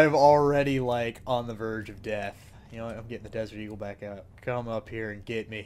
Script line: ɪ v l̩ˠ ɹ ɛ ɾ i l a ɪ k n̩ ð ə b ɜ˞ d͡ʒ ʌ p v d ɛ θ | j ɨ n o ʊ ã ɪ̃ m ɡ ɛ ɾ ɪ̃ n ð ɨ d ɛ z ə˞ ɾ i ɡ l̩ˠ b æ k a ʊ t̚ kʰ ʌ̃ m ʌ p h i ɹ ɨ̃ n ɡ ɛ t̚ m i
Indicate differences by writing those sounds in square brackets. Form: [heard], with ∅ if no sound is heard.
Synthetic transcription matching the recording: ɪ v l̩ˠ ɹ ɛ ɾ i l a ɪ k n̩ ð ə [v] ɜ˞ d͡ʒ ʌ [∅] v d ɛ θ | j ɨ n o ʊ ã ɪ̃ m ɡ ɛ ɾ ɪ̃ [ŋ] ð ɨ d ɛ z ə˞ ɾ i ɡ l̩ˠ b æ k a ʊ t̚ kʰ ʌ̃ m ʌ p h i ɹ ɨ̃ n ɡ ɛ t̚ m i